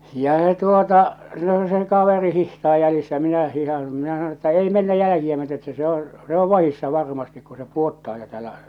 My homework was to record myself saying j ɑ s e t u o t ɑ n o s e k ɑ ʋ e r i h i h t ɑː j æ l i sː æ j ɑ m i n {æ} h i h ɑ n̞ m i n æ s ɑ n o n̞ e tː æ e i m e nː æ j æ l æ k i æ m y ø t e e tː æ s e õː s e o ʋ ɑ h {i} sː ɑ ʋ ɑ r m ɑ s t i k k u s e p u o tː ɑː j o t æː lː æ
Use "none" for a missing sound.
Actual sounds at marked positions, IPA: æ, i

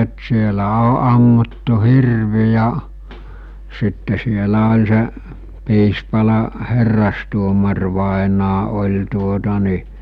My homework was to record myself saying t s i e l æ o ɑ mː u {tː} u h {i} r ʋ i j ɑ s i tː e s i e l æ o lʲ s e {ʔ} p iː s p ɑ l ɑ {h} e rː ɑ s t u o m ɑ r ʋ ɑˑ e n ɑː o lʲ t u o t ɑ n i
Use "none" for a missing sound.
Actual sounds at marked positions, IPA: tː, i, ʔ, h

